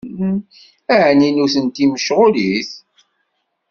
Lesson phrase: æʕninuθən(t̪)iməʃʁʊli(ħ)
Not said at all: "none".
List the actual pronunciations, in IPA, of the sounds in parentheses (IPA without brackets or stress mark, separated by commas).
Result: t̪, θ